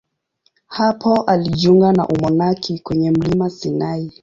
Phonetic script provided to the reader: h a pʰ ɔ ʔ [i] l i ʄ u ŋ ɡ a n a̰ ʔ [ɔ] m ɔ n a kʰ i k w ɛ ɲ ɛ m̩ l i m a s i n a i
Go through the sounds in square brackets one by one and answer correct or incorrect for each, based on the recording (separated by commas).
incorrect, incorrect